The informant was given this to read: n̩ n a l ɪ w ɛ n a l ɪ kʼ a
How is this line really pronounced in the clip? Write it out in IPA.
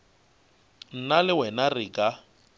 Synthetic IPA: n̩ n a l ɪ w ɛ n a r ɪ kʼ a